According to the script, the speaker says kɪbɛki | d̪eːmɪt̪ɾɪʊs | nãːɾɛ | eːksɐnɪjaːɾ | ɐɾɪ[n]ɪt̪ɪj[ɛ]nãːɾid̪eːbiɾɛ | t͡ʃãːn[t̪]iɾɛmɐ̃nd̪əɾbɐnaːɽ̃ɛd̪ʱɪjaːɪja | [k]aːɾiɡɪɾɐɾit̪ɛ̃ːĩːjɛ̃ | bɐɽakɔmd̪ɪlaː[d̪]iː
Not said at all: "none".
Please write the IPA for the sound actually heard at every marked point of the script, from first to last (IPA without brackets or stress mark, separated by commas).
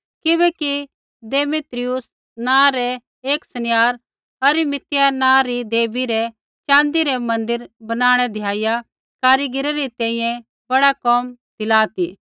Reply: m, a, d̪, k, t̪